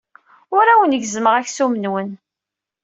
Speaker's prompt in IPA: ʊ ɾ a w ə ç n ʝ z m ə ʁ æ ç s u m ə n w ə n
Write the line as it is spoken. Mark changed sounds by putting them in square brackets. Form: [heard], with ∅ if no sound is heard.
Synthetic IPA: ʊ ɾ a w ə [∅] n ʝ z m ə ʁ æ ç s u m ə n w ə n